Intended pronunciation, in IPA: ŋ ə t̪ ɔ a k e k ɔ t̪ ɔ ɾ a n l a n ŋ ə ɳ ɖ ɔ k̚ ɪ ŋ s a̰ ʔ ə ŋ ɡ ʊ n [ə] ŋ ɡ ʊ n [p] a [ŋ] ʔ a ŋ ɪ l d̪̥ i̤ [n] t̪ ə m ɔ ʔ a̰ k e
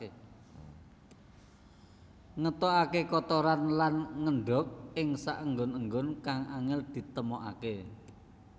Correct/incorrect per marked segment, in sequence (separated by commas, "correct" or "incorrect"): correct, incorrect, correct, incorrect